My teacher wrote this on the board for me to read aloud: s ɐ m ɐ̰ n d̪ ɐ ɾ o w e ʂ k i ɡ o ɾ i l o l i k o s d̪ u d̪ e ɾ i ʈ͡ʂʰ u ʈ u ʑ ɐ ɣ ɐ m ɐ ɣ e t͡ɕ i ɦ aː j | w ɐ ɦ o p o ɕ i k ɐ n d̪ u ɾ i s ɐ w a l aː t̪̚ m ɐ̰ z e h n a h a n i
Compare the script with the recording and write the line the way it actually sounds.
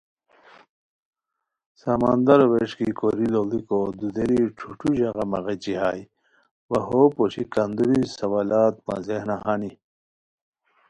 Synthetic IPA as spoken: s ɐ m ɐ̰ n d̪ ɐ ɾ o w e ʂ k i k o ɾ i l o l i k o d̪ u d̪ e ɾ i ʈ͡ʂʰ u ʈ u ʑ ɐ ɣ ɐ m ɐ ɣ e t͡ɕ i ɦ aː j | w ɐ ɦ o p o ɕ i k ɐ n d̪ u ɾ i s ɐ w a l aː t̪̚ m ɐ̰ z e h n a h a n i

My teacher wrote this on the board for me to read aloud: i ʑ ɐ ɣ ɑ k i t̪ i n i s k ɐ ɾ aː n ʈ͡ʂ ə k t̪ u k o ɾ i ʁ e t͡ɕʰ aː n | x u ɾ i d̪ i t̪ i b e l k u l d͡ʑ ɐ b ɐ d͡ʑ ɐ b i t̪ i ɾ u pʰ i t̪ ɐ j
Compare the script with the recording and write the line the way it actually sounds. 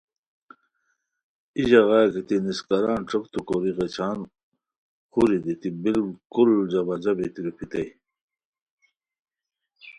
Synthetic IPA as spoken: i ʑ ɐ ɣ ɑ k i t̪ i n i s k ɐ ɾ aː n ʈ͡ʂ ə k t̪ u k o ɾ i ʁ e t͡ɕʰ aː n | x u ɾ i d̪ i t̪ i b i l k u l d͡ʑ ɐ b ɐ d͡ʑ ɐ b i t̪ i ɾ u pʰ i t̪ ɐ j

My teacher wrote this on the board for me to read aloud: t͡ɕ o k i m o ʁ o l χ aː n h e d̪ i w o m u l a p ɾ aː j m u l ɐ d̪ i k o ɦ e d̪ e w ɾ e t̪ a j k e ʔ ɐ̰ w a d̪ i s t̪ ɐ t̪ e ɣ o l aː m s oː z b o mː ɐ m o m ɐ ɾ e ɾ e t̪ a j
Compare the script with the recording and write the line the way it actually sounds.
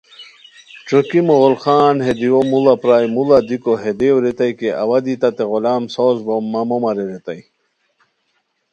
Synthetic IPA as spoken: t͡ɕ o k i m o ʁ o l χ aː n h e d̪ i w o m u l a p ɾ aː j m u l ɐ d̪ i k o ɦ e d̪ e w ɾ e t̪ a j k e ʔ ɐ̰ w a d̪ i t̪ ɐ t̪ e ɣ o l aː m s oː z b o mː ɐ m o m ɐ ɾ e ɾ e t̪ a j

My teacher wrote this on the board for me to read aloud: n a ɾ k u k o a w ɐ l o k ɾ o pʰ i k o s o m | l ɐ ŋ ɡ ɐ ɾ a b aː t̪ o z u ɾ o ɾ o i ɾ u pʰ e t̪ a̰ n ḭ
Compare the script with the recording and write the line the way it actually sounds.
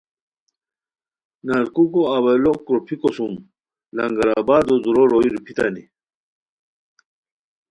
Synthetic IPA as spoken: n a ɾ k u k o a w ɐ l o k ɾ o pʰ i k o s u m | l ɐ ŋ ɡ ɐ ɾ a b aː d̪ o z u ɾ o ɾ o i ɾ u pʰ i t̪ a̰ n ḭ

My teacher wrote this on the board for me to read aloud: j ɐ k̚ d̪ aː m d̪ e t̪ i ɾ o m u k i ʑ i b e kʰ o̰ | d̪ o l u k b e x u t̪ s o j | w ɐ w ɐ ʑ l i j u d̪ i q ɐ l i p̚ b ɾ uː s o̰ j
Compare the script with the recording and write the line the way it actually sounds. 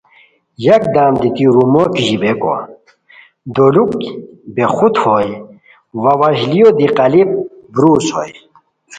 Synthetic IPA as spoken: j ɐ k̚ d̪ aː m d̪ i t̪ i ɾ u m o k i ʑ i b e k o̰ | d̪ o l u k b e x u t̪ h o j | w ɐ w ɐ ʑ l i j o d̪ i q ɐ l i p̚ b ɾ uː s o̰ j

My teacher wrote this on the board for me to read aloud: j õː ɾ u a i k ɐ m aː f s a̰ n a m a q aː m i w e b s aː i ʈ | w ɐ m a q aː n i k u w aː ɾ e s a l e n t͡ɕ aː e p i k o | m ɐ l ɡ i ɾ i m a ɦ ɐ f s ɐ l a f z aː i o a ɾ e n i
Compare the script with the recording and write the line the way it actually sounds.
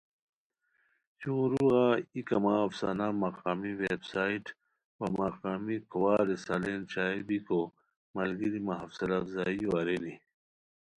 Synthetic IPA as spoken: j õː ɾ u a i k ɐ m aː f s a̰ n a m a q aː m i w e b s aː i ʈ | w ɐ m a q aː m i k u w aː ɾ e s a l e n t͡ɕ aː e b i k o | m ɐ l ɡ i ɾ i m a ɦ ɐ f s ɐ l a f z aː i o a ɾ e n i

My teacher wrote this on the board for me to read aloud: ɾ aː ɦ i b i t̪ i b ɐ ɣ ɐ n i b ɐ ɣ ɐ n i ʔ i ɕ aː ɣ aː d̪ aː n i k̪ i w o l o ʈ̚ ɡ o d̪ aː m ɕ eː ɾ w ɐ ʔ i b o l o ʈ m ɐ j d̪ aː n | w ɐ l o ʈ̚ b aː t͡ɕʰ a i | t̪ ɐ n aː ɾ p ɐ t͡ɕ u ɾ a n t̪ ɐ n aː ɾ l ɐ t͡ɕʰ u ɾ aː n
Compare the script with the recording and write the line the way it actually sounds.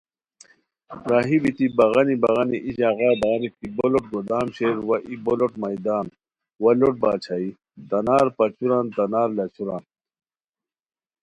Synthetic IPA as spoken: ɾ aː ɦ i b i t̪ i b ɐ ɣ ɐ n i b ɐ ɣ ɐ n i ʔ i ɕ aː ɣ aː d̪ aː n i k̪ i b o l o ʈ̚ ɡ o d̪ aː m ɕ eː ɾ w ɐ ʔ i b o l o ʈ m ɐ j d̪ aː n | w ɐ l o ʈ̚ b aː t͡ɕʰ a i | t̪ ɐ n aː ɾ p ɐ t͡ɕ u ɾ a n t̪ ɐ n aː ɾ l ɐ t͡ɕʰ u ɾ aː n

